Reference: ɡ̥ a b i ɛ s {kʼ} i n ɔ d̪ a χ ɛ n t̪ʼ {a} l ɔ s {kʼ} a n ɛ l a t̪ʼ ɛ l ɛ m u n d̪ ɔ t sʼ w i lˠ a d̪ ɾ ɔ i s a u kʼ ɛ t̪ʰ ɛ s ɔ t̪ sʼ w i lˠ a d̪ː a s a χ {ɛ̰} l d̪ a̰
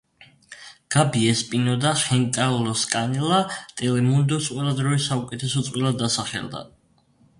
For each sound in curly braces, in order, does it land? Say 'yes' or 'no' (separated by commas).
no, yes, yes, yes